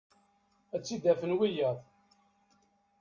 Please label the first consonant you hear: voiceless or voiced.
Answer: voiceless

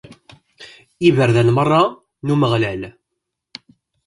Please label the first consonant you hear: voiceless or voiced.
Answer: voiced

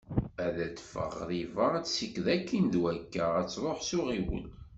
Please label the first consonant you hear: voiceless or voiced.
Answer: voiced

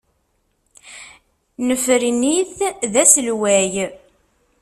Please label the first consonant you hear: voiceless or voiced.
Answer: voiced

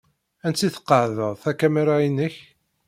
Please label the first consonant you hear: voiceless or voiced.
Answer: voiced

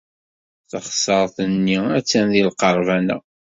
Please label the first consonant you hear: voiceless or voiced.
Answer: voiceless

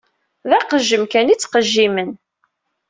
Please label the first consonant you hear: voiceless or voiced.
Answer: voiced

